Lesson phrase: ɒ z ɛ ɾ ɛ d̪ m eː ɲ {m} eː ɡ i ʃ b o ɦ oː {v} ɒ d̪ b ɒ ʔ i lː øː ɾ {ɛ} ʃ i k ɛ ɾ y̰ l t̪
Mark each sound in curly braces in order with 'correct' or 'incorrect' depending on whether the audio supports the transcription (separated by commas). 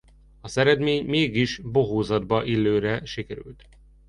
correct, incorrect, correct